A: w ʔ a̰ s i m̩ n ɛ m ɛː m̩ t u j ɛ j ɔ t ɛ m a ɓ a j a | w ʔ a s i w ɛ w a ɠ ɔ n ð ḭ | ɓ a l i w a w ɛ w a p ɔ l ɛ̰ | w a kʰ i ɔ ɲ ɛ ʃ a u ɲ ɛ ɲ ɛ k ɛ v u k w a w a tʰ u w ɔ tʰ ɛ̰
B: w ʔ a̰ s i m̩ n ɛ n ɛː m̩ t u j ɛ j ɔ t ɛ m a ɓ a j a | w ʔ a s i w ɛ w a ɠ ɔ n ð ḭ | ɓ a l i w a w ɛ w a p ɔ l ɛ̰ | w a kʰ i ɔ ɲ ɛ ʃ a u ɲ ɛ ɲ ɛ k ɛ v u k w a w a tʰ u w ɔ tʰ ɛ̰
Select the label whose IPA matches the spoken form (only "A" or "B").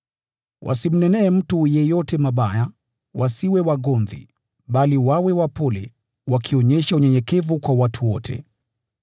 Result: B